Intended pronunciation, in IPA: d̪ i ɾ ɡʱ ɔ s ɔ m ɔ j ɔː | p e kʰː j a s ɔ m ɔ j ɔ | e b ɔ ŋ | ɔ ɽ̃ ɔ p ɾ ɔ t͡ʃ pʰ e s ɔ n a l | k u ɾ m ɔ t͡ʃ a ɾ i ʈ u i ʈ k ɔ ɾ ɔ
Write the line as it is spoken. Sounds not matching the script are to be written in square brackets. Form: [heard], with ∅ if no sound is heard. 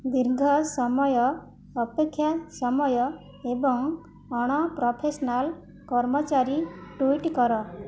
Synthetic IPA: d̪ i ɾ ɡʱ ɔ s ɔ m ɔ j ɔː | p e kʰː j a s ɔ m ɔ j ɔ | e b ɔ ŋ | ɔ ɽ̃ ɔ p ɾ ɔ [∅] pʰ e s ɔ n a l | k [ɔ] ɾ m ɔ t͡ʃ a ɾ i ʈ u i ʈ k ɔ ɾ ɔ